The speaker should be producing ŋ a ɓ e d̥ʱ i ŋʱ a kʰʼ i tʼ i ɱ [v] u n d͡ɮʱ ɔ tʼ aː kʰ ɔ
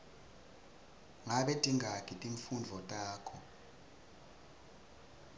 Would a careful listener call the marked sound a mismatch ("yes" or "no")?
yes